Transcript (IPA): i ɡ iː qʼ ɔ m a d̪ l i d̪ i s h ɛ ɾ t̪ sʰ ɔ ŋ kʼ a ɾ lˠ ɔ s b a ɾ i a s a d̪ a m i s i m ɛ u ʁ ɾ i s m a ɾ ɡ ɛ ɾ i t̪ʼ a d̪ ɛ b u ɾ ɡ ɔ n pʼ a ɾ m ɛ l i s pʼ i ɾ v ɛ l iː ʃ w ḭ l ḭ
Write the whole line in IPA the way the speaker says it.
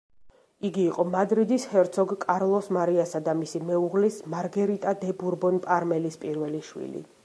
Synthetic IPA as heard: i ɡ iː qʼ ɔ m a d̪ ɾ i d̪ i s h ɛ ɾ t̪ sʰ ɔ ɡ kʼ a ɾ lˠ ɔ s m a ɾ i a s a d̪ a m i s i m ɛ u ʁ l i s m a ɾ ɡ ɛ ɾ i t̪ʼ a d̪ ɛ b u ɾ b ɔ n pʼ a ɾ m ɛ l i s pʼ i ɾ v ɛ l i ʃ w ḭ l ḭ